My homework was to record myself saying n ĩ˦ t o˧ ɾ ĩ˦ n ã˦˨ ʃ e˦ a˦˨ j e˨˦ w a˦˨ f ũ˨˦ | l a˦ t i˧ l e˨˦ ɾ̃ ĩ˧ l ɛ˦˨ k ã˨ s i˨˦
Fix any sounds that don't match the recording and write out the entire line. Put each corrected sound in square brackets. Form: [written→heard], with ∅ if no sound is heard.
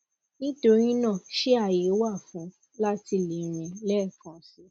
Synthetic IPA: n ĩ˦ t o˧ ɾ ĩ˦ n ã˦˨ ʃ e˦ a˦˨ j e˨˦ w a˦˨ f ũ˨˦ | l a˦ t i˧ l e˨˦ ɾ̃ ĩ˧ l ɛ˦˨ k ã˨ s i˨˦